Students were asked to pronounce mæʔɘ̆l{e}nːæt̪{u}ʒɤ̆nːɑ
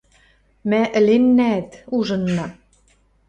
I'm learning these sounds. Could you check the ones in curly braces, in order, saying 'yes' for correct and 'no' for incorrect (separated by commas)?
yes, yes